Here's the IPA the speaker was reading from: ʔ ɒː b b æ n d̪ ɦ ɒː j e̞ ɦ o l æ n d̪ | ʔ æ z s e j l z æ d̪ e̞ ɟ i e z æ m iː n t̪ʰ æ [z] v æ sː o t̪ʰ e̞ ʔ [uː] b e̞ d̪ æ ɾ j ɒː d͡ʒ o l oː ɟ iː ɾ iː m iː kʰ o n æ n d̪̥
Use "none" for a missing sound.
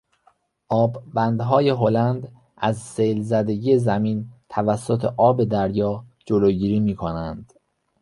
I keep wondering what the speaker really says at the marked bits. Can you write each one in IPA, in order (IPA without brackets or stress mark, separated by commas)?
none, ɒː